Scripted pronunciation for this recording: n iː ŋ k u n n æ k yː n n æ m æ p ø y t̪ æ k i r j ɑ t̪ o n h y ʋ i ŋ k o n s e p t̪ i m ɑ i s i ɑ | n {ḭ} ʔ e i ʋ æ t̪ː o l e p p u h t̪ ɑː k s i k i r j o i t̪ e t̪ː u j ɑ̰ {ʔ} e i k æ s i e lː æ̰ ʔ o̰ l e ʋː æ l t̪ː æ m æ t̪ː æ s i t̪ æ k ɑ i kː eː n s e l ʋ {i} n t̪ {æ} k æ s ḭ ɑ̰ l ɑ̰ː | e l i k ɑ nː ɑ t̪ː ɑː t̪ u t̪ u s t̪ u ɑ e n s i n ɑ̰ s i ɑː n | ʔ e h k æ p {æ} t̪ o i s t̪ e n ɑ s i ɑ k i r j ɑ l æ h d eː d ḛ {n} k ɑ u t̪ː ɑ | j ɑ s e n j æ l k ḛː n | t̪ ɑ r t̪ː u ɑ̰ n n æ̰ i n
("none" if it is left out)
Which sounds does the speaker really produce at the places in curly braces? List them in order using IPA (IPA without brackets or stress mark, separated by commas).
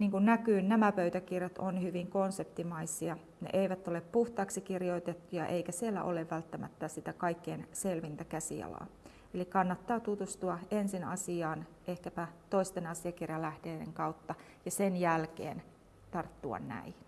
ḛ, ʔ, i, æ, æ, ŋ